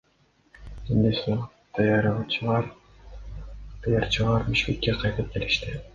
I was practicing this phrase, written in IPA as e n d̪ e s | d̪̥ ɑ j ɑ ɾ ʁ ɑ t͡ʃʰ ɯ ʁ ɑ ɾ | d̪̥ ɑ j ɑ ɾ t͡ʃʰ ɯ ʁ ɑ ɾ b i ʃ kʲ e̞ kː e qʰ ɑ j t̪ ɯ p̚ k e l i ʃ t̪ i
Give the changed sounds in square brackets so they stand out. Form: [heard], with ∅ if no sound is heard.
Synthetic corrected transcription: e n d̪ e s | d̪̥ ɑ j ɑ ɾ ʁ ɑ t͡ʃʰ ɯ ʁ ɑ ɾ | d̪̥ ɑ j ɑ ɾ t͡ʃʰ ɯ ʁ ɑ ɾ b i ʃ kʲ e̞ kː e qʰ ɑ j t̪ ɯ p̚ k e l i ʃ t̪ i

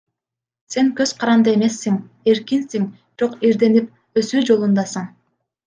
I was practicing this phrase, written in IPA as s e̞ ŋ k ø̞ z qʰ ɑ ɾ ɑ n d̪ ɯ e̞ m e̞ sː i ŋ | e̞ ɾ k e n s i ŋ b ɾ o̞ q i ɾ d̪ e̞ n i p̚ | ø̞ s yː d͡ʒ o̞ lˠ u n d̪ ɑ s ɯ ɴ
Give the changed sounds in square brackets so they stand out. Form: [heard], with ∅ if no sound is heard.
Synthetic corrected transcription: s e̞ ŋ k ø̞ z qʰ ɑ ɾ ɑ n d̪ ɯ e̞ m e̞ sː i ŋ | e̞ ɾ k [i] n s i ŋ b ɾ o̞ q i ɾ d̪ e̞ n i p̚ | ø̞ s yː d͡ʒ o̞ lˠ u n d̪ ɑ s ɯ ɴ

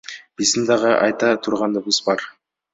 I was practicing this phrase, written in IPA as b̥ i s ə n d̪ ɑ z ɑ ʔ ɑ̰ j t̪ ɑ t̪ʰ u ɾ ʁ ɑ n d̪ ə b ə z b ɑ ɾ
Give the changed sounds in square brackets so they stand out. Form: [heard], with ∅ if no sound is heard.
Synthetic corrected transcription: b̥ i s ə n d̪ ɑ [ʁ] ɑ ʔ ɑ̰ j t̪ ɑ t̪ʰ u ɾ ʁ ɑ n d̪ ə b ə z b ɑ ɾ

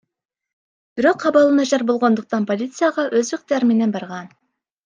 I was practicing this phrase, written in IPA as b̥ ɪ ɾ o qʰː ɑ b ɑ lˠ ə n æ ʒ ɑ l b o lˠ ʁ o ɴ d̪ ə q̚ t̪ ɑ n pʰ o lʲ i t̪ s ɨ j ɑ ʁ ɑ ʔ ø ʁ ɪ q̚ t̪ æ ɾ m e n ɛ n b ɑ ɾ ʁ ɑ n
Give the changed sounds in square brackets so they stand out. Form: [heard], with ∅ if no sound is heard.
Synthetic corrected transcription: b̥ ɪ ɾ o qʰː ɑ b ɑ lˠ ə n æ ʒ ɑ [ɾ] b o lˠ ʁ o [n] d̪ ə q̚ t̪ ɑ n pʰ o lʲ i t̪ s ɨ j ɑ ʁ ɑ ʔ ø [z] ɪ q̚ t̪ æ ɾ m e n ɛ n b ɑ ɾ ʁ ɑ n

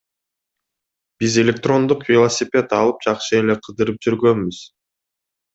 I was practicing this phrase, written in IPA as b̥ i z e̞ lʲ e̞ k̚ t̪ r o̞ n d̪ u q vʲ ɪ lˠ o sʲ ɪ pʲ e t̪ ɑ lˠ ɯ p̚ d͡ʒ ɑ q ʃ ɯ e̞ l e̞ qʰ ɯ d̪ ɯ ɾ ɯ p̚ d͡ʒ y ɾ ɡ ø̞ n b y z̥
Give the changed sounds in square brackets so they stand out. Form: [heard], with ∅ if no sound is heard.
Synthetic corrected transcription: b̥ i z e̞ lʲ e̞ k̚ t̪ r o̞ n d̪ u q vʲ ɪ lˠ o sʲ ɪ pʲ e t̪ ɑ lˠ ɯ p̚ d͡ʒ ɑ q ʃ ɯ e̞ l e̞ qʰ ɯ d̪ ɯ ɾ ɯ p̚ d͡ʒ y ɾ ɡ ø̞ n b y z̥

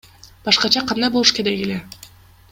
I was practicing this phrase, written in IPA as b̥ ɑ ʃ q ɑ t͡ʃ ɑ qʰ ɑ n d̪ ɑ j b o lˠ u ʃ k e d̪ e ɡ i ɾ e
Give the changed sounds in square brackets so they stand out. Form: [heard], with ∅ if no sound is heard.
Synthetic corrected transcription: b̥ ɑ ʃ q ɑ t͡ʃ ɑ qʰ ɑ n d̪ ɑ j b o lˠ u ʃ k e d̪ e ɡ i [l] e

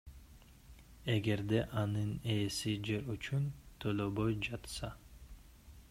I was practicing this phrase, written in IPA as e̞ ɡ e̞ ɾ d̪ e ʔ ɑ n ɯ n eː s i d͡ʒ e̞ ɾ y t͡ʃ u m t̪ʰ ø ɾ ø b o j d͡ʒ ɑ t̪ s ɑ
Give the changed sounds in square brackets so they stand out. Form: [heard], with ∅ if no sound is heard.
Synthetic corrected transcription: e̞ ɡ e̞ ɾ d̪ e ʔ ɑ n ɯ n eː s i d͡ʒ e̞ ɾ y t͡ʃ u [n] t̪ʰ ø [l] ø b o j d͡ʒ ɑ t̪ s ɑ

